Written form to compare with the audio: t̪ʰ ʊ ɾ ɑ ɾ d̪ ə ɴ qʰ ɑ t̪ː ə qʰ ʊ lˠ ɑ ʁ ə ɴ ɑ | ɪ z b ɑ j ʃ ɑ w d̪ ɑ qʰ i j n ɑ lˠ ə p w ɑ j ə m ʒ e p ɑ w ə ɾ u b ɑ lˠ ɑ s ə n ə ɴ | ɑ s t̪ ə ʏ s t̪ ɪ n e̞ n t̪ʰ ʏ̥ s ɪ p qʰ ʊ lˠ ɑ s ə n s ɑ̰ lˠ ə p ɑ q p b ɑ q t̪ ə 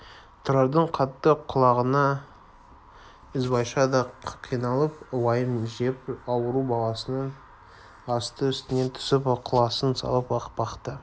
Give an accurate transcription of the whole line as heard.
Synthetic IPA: t̪ʰ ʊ ɾ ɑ ɾ d̪ ə ɴ qʰ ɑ t̪ː ə qʰ ʊ lˠ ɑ ʁ ə n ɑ | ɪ z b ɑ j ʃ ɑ d̪ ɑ qʰ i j n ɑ lˠ ə p w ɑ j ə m ʒ e p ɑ w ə ɾ u b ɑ lˠ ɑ s ə n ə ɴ | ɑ s t̪ ə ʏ s t̪ ɪ n e̞ n t̪ʰ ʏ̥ s ɪ p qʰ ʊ lˠ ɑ s ə n s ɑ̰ lˠ ə p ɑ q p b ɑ q t̪ ə